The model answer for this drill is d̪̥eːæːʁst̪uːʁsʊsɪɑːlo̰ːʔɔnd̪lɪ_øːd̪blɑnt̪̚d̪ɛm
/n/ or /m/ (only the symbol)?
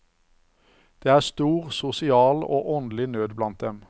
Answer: n